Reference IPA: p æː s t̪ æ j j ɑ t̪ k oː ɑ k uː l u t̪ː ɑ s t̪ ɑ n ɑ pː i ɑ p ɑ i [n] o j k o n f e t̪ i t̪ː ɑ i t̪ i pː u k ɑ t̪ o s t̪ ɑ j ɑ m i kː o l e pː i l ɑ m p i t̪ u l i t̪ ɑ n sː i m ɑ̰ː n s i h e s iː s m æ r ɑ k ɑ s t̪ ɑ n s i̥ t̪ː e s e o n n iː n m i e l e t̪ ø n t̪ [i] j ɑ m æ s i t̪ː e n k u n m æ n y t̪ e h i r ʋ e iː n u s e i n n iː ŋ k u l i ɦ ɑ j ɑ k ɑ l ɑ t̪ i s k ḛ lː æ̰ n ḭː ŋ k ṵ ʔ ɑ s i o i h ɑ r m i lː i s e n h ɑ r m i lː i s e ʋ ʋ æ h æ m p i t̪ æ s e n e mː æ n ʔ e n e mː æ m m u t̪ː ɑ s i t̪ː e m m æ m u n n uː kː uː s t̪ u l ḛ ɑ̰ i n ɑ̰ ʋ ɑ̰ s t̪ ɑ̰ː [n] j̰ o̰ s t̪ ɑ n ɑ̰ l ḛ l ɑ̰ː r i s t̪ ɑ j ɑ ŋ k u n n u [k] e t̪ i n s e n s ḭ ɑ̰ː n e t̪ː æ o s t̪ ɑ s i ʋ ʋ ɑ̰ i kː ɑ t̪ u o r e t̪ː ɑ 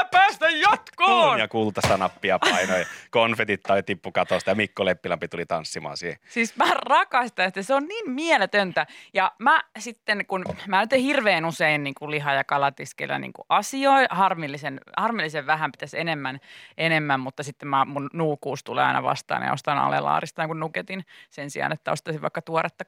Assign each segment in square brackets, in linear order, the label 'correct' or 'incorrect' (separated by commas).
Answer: correct, incorrect, correct, correct